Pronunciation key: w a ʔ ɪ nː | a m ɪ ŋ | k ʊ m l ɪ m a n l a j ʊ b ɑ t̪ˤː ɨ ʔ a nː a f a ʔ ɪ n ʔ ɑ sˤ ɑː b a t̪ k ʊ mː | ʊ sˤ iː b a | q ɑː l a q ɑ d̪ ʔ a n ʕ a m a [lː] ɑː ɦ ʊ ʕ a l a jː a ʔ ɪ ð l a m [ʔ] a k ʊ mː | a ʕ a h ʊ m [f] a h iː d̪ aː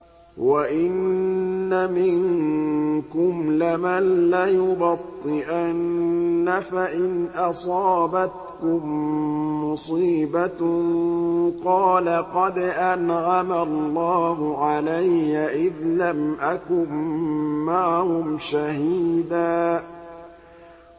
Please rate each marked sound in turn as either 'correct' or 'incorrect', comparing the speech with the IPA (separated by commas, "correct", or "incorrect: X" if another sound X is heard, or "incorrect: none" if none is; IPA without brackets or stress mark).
correct, correct, incorrect: ʃ